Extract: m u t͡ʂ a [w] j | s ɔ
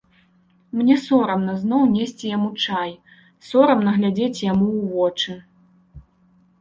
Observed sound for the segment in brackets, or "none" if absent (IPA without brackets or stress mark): none